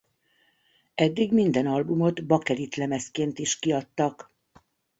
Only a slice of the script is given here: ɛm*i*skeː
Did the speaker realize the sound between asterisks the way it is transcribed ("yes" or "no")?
no